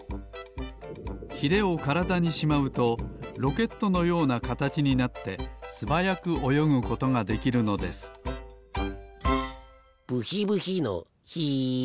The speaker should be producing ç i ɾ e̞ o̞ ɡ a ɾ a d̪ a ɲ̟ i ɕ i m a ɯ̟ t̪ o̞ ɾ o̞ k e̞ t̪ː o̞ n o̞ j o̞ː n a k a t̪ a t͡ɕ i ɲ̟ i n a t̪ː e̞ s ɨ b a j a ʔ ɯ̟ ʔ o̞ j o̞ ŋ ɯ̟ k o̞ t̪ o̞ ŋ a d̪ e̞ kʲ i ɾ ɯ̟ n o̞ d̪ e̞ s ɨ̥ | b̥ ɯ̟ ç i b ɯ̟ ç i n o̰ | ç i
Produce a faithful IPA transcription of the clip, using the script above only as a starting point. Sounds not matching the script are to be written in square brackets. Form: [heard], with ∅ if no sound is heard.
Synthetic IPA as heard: ç i ɾ e̞ o̞ [k] a ɾ a d̪ a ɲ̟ i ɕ i m a ɯ̟ t̪ o̞ ɾ o̞ k e̞ t̪ː o̞ n o̞ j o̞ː n a k a t̪ a t͡ɕ i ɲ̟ i n a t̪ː e̞ s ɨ b a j a [k] ɯ̟ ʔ o̞ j o̞ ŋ ɯ̟ k o̞ t̪ o̞ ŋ a d̪ e̞ kʲ i ɾ ɯ̟ n o̞ d̪ e̞ s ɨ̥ | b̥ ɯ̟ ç i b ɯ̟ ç i n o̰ | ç i